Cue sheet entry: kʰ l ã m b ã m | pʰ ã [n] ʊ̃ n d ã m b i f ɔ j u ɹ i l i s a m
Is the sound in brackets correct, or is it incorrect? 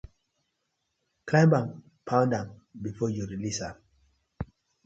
incorrect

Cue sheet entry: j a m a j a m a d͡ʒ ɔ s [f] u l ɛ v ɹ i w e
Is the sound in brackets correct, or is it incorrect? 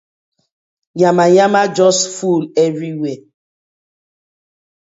correct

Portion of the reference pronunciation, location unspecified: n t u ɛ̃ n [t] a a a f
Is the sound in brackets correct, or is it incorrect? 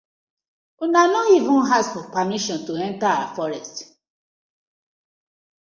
correct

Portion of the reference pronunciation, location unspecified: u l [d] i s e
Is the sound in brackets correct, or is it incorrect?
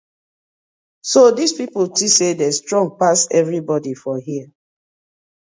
incorrect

